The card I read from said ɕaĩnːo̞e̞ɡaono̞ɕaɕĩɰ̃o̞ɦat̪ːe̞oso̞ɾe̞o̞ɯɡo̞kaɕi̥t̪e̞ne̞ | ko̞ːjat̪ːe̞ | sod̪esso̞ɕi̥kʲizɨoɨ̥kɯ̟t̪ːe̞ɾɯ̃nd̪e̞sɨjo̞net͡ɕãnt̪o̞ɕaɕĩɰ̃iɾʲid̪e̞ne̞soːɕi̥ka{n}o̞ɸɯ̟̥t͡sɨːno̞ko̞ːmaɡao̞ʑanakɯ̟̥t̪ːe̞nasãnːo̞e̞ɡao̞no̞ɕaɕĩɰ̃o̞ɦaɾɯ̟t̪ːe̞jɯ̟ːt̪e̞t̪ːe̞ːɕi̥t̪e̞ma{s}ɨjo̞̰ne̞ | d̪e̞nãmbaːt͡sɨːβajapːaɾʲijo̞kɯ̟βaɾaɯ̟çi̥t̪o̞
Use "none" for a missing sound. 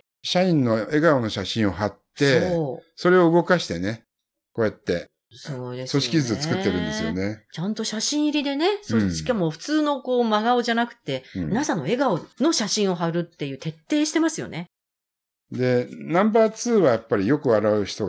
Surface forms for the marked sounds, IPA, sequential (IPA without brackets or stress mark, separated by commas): m, s